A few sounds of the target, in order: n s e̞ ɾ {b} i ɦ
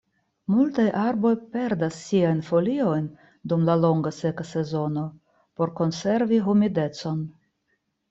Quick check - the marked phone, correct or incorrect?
incorrect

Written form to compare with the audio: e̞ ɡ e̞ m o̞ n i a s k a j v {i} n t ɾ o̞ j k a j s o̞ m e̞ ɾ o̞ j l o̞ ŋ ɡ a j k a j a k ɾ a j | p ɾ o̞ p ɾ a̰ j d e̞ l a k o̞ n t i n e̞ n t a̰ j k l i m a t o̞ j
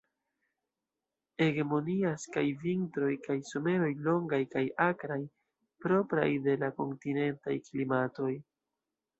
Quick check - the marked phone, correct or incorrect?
correct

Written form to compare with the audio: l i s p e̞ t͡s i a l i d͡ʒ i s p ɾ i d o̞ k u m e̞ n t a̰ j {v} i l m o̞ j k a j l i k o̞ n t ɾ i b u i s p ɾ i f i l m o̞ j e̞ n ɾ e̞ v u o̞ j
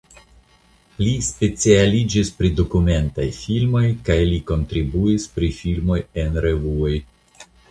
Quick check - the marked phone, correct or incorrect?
incorrect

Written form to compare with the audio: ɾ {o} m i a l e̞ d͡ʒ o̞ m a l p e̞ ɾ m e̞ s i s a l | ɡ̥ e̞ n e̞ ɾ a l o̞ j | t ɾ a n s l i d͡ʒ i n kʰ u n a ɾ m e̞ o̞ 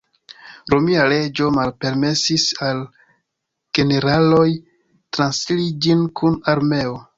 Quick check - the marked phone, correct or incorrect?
correct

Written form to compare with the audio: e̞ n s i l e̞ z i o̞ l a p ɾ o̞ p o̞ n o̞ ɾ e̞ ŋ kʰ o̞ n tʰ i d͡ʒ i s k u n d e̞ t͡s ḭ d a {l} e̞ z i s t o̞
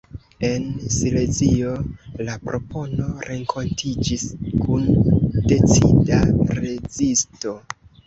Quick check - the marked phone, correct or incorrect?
incorrect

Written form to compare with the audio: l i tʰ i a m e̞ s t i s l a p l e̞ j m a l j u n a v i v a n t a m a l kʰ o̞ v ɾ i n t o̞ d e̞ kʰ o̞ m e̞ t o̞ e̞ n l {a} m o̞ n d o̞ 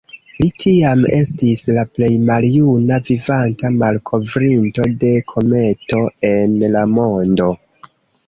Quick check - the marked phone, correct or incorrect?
correct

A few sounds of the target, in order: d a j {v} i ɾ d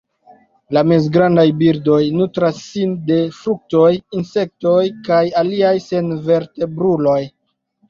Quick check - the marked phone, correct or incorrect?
incorrect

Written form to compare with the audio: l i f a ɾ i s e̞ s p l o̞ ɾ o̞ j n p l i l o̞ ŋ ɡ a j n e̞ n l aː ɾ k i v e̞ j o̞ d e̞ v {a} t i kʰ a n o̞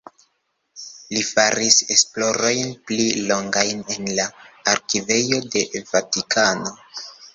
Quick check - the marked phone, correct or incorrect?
correct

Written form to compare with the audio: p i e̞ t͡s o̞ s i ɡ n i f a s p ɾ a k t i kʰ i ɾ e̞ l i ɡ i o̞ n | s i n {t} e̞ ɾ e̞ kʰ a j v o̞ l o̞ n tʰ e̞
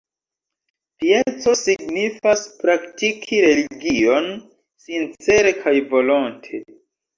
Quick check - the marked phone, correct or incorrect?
incorrect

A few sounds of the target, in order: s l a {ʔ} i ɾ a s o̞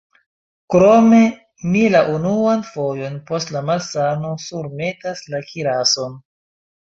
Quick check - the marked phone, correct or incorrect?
incorrect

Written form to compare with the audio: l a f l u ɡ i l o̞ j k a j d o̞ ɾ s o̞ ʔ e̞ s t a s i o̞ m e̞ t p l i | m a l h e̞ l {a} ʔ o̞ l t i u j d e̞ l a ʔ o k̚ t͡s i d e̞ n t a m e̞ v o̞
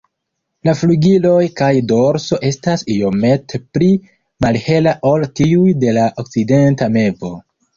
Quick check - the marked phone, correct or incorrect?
correct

